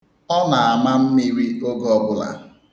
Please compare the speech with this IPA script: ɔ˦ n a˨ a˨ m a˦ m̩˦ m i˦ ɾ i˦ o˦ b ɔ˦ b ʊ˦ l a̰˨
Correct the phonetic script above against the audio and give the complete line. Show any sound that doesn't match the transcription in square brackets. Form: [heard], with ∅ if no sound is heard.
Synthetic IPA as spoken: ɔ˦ n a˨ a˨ m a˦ m̩˦ m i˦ ɾ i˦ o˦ [ɡ] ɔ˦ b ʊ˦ l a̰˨